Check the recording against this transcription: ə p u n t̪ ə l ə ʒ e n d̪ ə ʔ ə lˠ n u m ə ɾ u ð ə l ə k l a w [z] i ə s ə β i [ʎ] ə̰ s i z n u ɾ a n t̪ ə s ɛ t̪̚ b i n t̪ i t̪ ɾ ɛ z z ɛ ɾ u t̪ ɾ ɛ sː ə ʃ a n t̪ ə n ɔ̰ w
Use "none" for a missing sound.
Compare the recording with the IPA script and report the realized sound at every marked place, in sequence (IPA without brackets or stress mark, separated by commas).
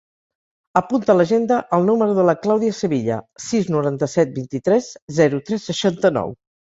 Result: ð, ʎ